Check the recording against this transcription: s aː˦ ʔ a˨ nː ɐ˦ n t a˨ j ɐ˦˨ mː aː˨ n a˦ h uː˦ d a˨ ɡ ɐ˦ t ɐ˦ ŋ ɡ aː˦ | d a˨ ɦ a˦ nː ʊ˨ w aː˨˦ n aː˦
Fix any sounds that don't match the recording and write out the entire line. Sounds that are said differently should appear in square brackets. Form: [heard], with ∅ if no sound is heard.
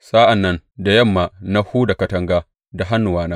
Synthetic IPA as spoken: s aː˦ ʔ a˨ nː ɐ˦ n [d] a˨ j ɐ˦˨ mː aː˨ n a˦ h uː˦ d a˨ [k] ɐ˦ t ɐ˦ ŋ ɡ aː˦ | d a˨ ɦ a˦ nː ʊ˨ w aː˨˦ n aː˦